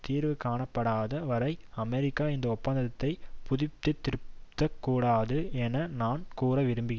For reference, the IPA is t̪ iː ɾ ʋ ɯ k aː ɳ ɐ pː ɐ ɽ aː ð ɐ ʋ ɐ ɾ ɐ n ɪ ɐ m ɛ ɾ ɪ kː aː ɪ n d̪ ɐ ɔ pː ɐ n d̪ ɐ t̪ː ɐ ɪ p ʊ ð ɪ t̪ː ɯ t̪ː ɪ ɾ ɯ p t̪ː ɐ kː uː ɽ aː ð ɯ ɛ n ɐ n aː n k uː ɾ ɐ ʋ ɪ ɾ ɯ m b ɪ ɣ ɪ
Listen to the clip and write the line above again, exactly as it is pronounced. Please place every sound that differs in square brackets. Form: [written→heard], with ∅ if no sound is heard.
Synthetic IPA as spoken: t̪ iː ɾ ʋ ɯ k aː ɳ ɐ pː ɐ ɽ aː ð ɐ ʋ ɐ ɾ ɐ [n→∅] ɪ ɐ m ɛ ɾ ɪ kː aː ɪ n d̪ ɐ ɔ pː ɐ n d̪ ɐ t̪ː ɐ ɪ p ʊ ð ɪ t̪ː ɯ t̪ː ɪ ɾ ɯ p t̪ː ɐ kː uː ɽ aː ð ɯ ɛ n ɐ n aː n k uː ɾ ɐ ʋ ɪ ɾ ɯ m b ɪ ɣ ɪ